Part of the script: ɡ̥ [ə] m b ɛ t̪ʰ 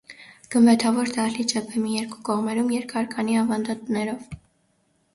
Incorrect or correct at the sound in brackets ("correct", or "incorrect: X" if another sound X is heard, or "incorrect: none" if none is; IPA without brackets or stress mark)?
correct